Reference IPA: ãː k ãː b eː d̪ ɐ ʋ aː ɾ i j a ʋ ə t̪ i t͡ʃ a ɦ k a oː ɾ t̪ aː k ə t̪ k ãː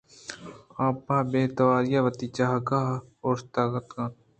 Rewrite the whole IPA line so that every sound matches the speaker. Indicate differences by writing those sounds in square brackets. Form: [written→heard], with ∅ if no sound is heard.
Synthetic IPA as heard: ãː [k→p] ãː b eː [d̪→t̪] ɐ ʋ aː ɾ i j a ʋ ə t̪ i t͡ʃ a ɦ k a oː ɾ t̪ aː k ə t̪ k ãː